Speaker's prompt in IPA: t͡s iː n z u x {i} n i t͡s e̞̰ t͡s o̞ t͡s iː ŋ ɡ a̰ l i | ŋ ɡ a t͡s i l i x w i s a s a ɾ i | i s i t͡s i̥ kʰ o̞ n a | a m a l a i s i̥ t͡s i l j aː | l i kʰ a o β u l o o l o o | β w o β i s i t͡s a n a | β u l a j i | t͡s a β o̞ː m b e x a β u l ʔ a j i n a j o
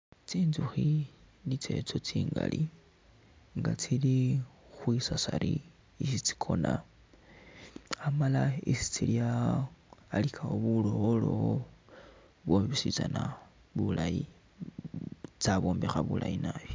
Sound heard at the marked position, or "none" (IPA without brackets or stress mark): i